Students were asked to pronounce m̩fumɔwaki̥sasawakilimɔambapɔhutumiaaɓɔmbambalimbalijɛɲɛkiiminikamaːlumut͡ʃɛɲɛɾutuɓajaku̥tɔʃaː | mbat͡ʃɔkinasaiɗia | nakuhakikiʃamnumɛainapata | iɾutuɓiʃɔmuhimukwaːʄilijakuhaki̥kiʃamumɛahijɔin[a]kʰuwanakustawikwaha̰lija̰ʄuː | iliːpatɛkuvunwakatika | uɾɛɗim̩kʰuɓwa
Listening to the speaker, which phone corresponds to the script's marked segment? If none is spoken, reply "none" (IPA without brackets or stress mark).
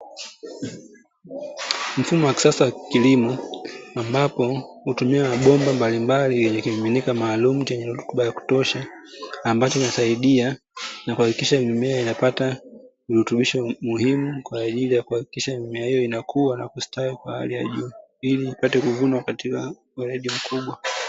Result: a